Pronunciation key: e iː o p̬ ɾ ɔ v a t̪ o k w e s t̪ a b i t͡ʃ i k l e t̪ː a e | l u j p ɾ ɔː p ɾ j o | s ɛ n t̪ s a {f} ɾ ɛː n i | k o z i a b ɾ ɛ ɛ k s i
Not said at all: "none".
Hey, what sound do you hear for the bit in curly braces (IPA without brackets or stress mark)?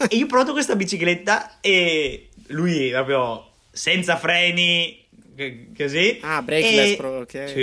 f